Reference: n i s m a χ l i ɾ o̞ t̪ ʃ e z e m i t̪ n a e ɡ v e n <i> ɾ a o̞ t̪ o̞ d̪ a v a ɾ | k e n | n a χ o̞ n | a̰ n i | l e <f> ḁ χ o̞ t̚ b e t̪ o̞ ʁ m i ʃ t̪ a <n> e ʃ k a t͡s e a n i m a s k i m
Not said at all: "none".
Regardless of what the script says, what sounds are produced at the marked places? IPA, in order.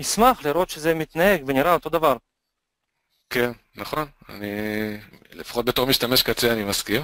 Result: i, f, m

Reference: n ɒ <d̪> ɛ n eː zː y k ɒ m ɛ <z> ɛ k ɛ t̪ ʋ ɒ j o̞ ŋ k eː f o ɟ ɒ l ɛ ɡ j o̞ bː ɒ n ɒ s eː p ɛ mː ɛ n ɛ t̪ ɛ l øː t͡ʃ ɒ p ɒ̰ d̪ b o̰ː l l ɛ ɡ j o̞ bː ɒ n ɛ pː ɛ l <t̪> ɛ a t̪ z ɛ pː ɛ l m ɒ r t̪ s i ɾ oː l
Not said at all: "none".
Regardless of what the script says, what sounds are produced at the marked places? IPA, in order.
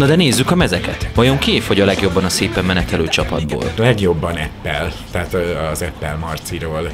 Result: d̪, z, t̪

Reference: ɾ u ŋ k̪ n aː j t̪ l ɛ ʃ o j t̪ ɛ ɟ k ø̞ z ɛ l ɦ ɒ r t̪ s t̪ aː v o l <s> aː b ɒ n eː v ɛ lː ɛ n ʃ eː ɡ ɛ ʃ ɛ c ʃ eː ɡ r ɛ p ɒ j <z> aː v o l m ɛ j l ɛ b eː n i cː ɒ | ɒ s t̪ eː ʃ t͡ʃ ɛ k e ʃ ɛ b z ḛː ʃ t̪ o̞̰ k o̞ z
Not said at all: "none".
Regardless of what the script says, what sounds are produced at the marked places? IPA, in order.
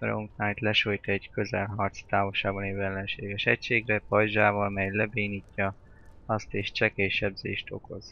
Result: ʃ, ʒ

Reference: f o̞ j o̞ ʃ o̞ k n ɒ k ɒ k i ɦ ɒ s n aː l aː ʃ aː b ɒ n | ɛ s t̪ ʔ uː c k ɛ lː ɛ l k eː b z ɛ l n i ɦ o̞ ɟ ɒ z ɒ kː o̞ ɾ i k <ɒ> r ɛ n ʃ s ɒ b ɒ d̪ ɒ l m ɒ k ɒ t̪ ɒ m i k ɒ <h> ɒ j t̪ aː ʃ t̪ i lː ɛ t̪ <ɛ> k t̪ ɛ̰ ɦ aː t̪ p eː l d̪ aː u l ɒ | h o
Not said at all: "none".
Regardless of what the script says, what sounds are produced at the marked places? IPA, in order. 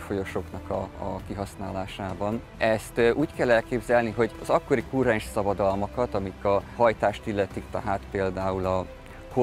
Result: u, h, i

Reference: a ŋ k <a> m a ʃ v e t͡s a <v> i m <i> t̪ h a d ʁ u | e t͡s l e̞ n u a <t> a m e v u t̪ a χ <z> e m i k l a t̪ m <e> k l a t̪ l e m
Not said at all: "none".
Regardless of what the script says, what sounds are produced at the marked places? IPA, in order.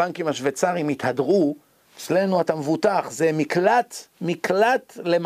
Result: i, ʁ, i, t, z, i

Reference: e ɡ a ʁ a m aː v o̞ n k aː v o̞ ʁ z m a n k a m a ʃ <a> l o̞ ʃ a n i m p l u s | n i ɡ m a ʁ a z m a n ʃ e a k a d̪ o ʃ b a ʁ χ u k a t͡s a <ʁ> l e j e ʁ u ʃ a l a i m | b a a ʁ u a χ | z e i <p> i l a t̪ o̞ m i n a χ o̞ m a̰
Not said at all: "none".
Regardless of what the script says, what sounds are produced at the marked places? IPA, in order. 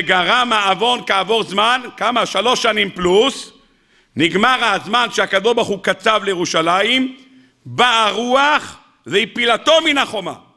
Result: a, v, p

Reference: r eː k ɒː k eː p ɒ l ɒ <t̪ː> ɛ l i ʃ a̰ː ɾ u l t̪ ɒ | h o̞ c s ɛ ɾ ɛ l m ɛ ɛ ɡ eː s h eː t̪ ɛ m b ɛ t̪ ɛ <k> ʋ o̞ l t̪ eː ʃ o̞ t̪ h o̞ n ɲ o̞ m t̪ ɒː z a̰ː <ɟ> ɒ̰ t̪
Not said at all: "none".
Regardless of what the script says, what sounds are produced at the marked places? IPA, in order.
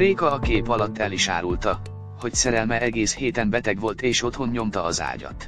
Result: t̪ː, ɡ, ɟ

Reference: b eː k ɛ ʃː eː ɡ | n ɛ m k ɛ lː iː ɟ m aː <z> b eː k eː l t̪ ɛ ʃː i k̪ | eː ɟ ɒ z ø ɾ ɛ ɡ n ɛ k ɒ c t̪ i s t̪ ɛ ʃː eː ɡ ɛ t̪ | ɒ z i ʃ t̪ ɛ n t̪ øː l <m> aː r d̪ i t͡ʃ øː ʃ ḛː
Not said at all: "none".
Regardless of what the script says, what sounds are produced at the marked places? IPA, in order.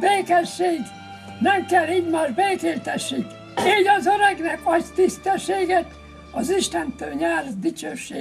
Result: ʒ, ɲ

